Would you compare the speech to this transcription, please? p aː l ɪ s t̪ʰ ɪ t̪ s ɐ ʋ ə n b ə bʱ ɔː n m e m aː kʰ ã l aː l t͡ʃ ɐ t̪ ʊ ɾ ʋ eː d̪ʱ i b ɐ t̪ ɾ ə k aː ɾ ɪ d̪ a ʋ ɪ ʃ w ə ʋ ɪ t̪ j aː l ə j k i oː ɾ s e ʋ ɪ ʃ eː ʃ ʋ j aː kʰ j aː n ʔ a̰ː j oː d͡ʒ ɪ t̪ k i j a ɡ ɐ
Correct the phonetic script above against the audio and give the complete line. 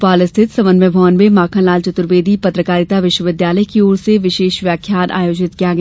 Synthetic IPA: p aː l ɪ s t̪ʰ ɪ t̪ s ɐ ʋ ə n m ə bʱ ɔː n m e m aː kʰ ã l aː l t͡ʃ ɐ t̪ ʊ ɾ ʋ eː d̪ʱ i p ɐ t̪ ɾ ə k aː ɾ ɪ t̪ a ʋ ɪ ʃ w ə ʋ ɪ d̪ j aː l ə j k i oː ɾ s e ʋ ɪ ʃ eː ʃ ʋ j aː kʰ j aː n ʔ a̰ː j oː d͡ʒ ɪ t̪ k i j a ɡ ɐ